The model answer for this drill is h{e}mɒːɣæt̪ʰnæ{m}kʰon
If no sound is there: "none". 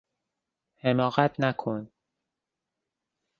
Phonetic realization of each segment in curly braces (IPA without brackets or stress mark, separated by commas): e, none